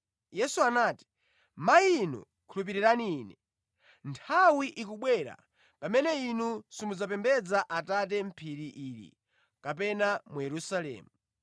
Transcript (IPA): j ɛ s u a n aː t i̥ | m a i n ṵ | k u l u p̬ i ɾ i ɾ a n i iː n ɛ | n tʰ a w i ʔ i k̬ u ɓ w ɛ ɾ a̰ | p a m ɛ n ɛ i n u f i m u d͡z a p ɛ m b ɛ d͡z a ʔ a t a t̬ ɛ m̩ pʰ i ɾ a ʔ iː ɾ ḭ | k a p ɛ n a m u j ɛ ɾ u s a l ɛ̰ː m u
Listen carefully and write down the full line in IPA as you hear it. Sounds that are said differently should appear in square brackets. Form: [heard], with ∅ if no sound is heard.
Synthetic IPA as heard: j ɛ s u a n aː t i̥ | m a i n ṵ | [kʰ] u l u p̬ i ɾ i ɾ a n i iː n ɛ | n tʰ a w i ʔ i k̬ u ɓ w ɛ ɾ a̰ | p a m ɛ n ɛ i n u [s] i m u d͡z a p ɛ m b ɛ d͡z a ʔ a t a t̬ ɛ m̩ pʰ i ɾ [i] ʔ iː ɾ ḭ | k a p ɛ n a m u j ɛ ɾ u s a l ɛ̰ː m u